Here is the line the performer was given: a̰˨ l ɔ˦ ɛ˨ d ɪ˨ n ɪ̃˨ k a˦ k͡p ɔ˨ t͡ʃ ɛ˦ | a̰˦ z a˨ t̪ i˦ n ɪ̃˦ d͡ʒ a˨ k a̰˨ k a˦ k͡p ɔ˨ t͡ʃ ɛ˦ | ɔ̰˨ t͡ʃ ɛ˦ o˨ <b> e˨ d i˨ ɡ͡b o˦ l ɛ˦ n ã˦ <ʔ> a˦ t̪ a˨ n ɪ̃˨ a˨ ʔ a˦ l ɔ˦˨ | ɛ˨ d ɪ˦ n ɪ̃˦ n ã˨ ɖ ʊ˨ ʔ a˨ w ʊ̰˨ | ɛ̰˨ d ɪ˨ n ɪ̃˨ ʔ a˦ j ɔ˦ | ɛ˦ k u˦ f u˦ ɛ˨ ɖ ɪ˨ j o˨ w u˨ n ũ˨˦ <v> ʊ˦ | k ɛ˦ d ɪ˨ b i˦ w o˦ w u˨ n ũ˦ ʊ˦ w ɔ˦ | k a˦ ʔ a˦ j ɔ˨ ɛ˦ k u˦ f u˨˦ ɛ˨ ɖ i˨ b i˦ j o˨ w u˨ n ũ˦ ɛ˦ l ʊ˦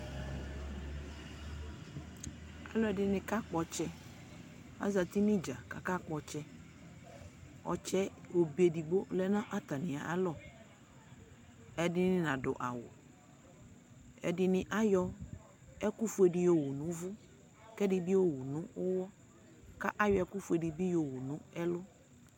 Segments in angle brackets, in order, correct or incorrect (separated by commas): correct, correct, correct